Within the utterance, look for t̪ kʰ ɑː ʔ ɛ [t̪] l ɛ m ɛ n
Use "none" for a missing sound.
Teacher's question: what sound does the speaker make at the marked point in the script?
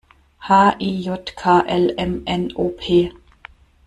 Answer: none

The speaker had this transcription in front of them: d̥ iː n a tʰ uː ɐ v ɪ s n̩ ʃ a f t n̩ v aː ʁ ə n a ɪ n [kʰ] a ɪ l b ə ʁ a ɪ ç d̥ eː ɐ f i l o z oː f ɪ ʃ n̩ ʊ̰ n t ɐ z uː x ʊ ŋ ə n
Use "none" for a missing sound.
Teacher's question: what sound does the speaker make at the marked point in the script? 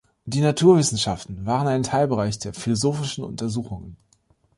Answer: tʰ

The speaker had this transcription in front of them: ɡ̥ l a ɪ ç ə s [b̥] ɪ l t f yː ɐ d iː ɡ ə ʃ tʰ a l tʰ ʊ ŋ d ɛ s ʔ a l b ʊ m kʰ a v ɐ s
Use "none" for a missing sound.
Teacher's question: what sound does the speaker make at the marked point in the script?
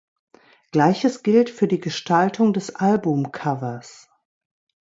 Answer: ɡ̥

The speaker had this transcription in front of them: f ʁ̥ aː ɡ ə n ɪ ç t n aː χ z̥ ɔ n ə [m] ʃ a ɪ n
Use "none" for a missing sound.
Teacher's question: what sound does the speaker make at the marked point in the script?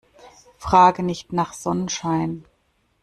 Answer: n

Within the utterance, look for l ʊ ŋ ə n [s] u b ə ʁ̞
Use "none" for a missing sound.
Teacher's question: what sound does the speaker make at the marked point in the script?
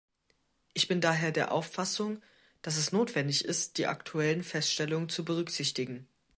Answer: t͡s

